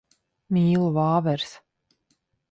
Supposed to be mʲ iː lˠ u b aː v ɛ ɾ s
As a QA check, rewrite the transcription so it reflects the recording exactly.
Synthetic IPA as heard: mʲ iː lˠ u v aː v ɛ ɾ s